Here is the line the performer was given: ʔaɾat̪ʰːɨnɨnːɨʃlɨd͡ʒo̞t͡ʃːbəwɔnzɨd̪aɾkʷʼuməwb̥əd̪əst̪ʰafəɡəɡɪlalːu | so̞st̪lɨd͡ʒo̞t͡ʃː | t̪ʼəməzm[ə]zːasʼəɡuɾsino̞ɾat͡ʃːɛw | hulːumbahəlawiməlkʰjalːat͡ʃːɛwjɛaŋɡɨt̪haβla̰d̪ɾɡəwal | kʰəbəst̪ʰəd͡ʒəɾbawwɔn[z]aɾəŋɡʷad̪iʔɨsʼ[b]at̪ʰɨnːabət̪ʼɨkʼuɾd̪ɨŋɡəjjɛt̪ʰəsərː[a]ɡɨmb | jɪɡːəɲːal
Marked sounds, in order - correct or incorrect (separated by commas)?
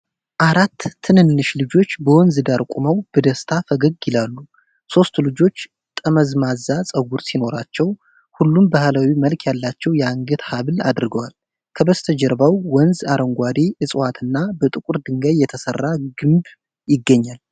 incorrect, correct, incorrect, correct